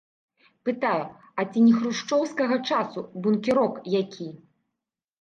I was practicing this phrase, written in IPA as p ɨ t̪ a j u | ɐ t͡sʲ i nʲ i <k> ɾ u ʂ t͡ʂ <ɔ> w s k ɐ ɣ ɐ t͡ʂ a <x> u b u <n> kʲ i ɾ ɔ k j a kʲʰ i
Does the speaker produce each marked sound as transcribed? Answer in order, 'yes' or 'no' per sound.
no, yes, no, yes

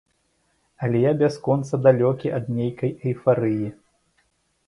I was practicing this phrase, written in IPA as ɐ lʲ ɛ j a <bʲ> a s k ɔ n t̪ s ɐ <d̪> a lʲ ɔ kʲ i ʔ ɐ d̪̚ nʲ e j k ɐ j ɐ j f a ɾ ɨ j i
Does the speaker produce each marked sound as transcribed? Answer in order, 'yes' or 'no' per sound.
yes, yes

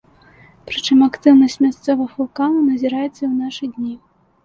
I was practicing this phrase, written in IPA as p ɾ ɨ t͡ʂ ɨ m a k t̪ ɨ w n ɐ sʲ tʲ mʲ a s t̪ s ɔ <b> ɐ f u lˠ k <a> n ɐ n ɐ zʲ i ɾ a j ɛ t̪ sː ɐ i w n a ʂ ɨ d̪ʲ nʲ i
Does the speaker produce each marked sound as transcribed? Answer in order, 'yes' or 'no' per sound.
no, yes

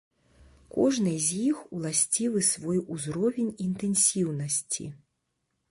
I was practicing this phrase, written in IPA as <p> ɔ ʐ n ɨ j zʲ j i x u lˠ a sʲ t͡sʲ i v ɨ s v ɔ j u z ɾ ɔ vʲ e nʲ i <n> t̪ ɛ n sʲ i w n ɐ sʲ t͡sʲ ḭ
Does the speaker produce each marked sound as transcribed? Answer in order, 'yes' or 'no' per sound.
no, yes

